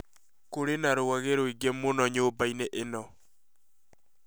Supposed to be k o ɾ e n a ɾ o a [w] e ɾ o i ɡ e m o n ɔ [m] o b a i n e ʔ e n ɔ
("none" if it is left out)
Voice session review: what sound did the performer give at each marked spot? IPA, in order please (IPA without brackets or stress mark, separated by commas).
ɣ, ɲ